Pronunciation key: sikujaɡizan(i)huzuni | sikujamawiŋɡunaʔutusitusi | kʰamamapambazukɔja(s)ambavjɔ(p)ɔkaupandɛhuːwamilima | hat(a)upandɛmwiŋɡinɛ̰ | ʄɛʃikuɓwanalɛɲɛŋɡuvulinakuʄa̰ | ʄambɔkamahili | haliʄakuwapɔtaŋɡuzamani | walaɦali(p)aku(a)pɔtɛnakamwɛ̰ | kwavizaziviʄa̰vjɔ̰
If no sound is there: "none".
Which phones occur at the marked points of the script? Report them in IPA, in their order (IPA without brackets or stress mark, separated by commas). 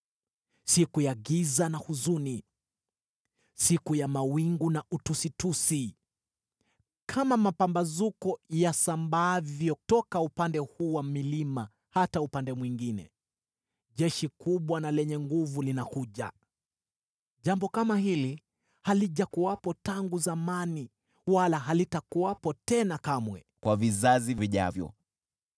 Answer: a, s, t, a, t, a